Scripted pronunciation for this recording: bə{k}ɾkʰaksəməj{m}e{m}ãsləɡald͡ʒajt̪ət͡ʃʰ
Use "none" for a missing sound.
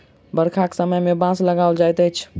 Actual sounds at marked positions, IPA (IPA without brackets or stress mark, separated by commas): none, m, b